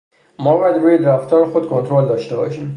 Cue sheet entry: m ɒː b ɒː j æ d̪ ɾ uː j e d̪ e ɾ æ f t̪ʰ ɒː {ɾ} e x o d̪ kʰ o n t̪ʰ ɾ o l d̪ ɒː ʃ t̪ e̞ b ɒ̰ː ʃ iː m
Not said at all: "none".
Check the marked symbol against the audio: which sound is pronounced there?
ɾ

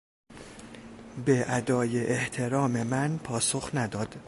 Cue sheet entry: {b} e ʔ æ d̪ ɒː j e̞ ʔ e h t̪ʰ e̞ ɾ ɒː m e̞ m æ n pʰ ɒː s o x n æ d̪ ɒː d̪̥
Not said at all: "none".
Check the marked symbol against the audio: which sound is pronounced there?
b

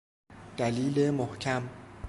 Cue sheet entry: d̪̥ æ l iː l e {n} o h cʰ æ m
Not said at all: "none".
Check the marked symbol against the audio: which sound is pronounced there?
m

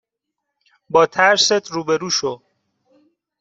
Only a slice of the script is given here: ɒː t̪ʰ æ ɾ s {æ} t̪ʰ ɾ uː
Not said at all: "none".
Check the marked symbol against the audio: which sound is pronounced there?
e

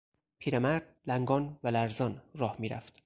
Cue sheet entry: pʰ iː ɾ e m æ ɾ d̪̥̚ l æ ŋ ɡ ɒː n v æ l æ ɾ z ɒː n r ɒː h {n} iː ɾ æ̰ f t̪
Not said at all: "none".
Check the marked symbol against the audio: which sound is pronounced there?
m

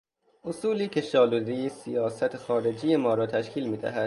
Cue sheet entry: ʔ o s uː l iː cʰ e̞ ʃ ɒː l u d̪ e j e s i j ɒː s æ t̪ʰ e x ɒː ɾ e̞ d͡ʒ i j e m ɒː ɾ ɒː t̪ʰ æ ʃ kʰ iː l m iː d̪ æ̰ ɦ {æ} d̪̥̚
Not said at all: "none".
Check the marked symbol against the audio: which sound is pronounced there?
æ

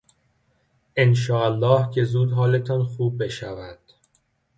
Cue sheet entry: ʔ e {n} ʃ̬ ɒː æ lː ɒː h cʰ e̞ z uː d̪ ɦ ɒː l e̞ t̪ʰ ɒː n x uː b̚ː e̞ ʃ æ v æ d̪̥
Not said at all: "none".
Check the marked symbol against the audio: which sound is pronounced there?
n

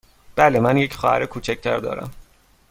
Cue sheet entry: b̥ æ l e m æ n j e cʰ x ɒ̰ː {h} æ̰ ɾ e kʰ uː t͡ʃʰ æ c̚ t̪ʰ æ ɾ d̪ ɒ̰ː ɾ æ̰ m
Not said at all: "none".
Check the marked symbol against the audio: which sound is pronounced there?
h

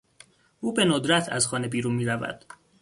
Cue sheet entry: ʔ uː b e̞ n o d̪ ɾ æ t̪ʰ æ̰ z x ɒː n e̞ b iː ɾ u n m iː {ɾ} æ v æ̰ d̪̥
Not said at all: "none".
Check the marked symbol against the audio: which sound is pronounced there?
ɾ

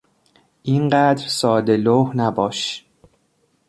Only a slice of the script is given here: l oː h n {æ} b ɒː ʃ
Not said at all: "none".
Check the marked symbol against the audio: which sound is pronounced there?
æ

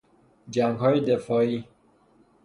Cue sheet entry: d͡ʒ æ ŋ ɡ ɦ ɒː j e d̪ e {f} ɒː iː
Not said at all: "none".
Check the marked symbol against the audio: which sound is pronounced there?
f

